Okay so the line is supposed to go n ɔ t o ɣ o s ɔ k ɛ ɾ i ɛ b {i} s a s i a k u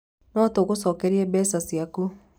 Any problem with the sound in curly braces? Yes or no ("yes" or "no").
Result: yes